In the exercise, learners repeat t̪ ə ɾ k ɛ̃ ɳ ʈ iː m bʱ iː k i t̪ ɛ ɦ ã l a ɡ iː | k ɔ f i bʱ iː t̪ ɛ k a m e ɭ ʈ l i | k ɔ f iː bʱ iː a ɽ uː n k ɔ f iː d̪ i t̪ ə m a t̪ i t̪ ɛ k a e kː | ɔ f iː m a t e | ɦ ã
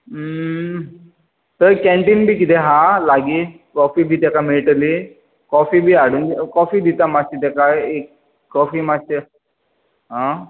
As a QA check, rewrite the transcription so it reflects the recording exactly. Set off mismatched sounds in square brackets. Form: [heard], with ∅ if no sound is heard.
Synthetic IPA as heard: t̪ ə ɾ k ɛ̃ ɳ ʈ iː [n] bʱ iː k i t̪ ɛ ɦ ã l a ɡ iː | k ɔ f i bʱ iː t̪ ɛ k a m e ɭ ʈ l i | k ɔ f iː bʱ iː a ɽ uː n k ɔ f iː d̪ i t̪ [a] m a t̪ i t̪ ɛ k a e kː | ɔ f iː m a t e | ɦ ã